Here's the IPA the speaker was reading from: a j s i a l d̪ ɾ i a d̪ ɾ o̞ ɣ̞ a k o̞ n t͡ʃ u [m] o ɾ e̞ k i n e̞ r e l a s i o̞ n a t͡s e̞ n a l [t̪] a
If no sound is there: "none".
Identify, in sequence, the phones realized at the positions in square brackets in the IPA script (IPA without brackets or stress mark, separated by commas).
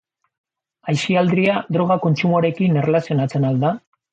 m, d̪